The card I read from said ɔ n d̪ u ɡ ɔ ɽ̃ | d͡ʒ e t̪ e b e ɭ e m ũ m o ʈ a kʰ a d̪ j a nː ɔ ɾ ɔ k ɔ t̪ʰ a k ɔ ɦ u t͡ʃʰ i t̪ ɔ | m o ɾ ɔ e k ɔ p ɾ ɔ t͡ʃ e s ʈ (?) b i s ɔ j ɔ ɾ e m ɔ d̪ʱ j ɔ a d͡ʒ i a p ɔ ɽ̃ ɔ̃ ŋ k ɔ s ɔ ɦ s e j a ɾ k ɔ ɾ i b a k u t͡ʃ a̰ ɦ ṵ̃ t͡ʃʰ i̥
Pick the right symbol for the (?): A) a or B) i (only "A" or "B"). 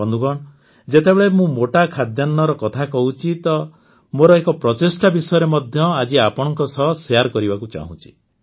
A